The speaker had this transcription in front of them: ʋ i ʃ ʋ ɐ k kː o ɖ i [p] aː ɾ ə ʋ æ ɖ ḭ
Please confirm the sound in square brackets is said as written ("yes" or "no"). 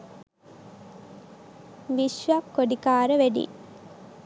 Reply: no